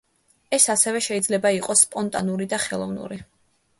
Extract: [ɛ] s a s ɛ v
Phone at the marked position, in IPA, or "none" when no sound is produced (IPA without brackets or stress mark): ɛ